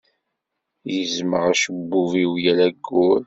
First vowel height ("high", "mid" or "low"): mid